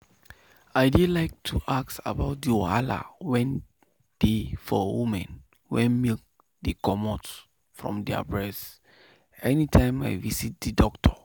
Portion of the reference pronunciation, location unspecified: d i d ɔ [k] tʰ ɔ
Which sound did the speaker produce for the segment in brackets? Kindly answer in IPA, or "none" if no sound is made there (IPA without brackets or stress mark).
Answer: k